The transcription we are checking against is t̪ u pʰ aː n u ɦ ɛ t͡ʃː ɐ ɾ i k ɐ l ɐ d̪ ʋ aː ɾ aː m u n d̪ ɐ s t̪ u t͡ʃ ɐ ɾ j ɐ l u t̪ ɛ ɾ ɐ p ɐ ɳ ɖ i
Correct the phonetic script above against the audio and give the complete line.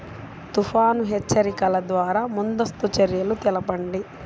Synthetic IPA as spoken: t̪ u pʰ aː n u ɦ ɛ t͡ʃː ɐ ɾ i k ɐ l ɐ d̪ ʋ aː ɾ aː m u n d̪ ɐ s t̪ u t͡ʃ ɐ ɾ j ɐ l u t̪ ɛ l ɐ p ɐ ɳ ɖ i